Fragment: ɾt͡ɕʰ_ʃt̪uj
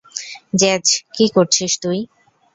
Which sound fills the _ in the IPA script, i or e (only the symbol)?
i